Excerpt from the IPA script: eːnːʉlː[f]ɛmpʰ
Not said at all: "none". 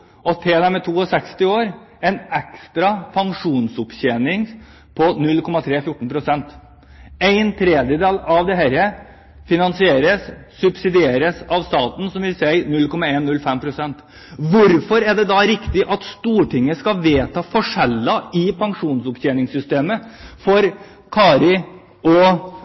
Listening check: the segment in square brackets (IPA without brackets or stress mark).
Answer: f